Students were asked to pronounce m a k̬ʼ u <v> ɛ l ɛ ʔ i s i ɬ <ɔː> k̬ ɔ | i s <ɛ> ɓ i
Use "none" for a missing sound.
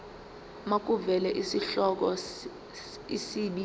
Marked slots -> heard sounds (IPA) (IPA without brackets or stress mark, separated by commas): v, ɔ, i